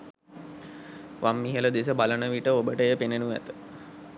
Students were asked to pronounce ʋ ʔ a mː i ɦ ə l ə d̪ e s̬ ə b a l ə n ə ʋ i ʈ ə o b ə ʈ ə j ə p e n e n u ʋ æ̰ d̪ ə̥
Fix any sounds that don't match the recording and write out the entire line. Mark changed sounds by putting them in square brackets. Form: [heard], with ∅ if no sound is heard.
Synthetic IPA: ʋ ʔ a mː i ɦ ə l ə d̪ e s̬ ə b a l ə n ə ʋ i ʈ ə o b ə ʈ ə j ə p e n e n u ʋ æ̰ [t̪] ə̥